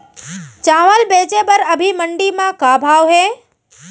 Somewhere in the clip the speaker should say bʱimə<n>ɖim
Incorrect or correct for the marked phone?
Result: incorrect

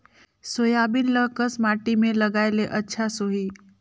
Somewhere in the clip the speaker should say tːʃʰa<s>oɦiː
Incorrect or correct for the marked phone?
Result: correct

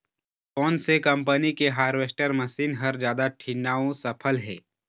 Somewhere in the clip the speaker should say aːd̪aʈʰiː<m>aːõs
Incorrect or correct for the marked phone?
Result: incorrect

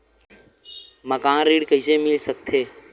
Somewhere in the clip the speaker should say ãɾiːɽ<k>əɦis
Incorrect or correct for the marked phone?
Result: correct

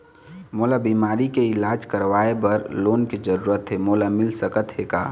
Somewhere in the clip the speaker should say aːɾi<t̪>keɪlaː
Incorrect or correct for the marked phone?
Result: incorrect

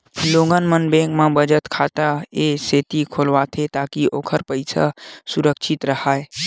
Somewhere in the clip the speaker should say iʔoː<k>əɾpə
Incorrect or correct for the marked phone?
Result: incorrect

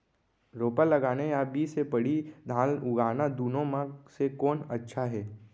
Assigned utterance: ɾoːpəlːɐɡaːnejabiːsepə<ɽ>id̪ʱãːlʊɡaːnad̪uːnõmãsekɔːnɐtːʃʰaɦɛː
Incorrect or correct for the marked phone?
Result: correct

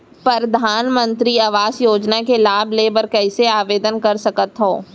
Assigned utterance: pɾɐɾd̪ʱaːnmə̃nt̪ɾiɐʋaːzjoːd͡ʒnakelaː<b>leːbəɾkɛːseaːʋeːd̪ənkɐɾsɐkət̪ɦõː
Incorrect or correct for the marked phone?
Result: correct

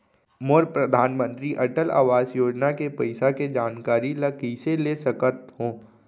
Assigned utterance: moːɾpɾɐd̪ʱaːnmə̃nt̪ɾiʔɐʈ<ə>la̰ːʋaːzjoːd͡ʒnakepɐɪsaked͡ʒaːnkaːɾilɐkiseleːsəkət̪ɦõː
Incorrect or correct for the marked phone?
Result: correct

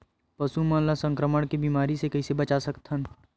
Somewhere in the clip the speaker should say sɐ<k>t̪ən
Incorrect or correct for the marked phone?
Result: correct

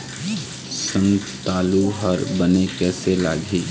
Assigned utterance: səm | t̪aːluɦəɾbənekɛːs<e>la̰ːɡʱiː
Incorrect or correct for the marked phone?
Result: correct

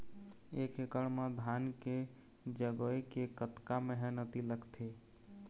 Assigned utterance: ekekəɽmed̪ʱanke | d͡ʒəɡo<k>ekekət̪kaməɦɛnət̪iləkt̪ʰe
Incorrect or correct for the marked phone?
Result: incorrect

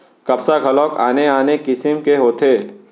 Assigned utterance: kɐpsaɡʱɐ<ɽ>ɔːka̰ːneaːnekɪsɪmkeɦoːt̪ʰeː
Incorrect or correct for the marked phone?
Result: incorrect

